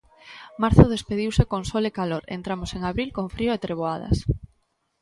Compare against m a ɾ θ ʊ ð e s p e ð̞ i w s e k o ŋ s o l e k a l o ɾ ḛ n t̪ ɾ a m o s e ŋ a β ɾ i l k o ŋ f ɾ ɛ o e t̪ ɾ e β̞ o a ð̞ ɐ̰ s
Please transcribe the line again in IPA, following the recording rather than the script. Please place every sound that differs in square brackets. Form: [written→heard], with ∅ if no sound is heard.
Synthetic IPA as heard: m a ɾ θ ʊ ð e s p e ð̞ i w s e k o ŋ s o l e k a l o ɾ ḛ n t̪ ɾ a m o s e ŋ a β ɾ i l k o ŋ f ɾ [ɛ→i] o e t̪ ɾ e β̞ o a ð̞ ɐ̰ s